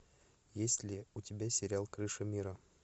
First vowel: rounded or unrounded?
unrounded